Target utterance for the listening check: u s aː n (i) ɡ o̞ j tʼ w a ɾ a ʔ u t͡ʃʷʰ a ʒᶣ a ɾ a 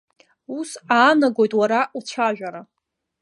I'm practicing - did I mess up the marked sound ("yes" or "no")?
yes